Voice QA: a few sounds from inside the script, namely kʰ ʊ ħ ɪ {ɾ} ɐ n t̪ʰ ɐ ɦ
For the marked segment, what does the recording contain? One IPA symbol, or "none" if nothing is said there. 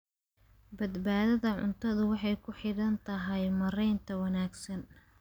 ɽ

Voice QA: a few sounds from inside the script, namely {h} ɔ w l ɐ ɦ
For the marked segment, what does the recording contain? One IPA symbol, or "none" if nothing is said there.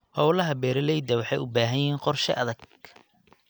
h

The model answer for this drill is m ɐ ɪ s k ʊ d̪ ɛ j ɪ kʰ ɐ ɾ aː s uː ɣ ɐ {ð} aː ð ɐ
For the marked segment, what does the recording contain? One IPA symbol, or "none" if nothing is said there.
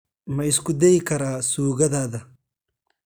ð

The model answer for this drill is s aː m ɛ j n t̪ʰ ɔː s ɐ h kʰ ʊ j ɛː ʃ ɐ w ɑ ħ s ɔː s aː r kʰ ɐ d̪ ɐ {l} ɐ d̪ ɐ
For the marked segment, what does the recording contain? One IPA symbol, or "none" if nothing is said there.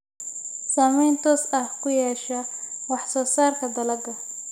l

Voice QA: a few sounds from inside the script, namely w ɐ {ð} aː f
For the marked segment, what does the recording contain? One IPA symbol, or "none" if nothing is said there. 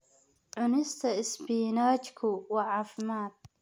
ʕ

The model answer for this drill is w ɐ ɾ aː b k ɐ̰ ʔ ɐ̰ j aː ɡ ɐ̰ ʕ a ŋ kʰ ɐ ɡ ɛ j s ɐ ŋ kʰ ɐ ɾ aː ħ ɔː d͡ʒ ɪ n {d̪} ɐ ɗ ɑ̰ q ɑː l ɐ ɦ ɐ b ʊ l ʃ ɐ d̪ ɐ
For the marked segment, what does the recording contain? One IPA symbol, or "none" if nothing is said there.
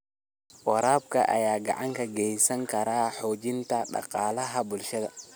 t̪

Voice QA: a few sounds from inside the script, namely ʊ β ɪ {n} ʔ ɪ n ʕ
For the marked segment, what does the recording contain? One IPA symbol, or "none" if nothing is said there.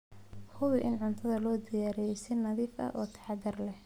none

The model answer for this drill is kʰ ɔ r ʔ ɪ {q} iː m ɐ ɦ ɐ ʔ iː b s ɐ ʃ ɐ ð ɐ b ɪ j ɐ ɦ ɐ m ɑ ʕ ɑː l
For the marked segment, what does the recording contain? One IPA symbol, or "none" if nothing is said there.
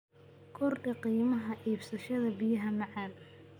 q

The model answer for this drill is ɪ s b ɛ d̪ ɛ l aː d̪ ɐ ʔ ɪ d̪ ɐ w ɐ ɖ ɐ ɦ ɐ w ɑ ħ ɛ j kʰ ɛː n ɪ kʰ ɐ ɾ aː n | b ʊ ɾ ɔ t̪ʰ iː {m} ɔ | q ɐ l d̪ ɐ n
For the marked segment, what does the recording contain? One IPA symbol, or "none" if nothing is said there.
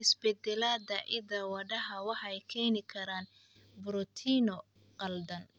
n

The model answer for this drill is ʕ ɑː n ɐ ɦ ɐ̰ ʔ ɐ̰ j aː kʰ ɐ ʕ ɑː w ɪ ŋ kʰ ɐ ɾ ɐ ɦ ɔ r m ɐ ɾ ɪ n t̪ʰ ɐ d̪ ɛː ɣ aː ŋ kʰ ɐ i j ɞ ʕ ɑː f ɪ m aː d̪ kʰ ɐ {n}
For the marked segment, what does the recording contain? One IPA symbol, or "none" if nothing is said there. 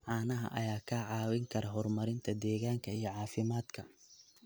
none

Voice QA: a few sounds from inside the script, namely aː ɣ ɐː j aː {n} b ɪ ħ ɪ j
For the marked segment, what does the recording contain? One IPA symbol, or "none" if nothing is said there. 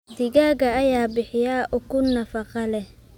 none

